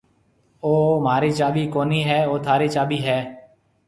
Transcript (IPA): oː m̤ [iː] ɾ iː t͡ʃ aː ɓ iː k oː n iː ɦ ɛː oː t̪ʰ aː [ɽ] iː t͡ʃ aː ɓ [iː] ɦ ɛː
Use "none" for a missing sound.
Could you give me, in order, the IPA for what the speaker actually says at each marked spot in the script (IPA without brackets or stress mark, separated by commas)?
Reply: aː, ɾ, iː